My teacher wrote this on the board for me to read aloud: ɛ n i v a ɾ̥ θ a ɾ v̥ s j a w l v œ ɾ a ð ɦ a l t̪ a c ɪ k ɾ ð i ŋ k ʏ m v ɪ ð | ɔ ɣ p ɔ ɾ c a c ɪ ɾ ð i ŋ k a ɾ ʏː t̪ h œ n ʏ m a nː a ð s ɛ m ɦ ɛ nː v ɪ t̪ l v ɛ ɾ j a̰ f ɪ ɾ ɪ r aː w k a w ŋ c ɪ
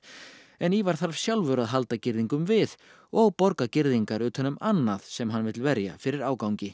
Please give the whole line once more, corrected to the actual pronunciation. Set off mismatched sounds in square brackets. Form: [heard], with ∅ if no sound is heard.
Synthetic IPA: ɛ n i v a ɾ̥ θ a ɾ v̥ s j a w l v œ ɾ a ð ɦ a l t̪ a c ɪ [∅] ɾ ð i ŋ k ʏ m v ɪ ð | ɔ ɣ p ɔ ɾ [k] a c ɪ ɾ ð i ŋ k a ɾ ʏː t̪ h œ n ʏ m a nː a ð s ɛ m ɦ [a] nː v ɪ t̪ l v ɛ ɾ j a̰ f ɪ ɾ ɪ [ɾ] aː w k a w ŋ c ɪ